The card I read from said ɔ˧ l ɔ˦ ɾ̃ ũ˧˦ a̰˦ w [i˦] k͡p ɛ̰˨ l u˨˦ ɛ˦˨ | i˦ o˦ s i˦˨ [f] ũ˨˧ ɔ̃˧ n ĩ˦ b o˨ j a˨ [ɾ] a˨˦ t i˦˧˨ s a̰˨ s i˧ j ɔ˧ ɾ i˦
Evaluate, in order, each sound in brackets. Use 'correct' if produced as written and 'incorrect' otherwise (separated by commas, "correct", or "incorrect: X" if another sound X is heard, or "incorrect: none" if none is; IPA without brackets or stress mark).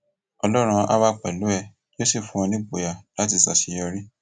incorrect: a˦, correct, incorrect: l